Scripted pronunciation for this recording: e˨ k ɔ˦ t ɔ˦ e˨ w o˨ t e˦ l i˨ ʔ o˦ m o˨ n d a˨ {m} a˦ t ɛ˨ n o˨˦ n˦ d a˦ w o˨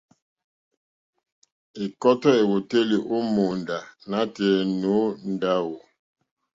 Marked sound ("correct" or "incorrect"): incorrect